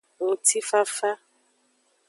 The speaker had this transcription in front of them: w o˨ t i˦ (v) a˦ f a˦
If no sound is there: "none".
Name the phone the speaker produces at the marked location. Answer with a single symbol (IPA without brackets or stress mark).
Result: f